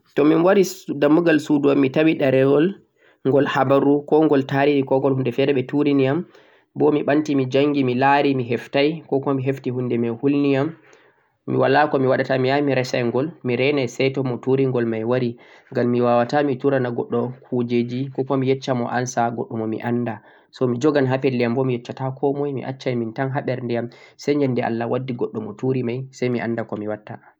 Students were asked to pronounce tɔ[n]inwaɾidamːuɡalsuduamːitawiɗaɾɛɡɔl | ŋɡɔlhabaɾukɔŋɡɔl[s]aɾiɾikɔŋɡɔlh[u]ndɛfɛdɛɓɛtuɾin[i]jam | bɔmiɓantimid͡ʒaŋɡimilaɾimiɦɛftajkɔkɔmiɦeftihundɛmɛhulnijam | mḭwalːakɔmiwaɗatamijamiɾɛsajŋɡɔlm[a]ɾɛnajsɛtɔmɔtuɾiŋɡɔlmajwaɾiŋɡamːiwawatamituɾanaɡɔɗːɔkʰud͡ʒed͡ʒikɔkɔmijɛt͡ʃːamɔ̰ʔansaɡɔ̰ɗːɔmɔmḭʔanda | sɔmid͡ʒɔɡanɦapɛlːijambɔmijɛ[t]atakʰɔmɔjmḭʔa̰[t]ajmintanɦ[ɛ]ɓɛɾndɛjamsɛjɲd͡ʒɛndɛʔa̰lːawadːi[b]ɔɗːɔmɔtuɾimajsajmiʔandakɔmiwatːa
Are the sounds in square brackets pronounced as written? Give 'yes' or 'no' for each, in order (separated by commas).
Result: no, no, yes, yes, no, no, no, no, no